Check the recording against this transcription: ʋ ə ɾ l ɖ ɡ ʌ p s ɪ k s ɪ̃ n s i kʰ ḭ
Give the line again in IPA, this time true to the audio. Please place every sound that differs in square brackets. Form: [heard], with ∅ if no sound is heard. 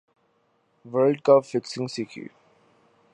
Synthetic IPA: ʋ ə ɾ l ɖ [k] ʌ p [f] ɪ k s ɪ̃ [ŋ] s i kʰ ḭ